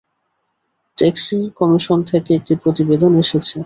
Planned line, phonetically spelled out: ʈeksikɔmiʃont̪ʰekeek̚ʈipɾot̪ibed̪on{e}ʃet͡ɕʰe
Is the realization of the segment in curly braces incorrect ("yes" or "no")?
no